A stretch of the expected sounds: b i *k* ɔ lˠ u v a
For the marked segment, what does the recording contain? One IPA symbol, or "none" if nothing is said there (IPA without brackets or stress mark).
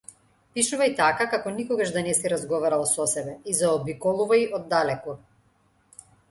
k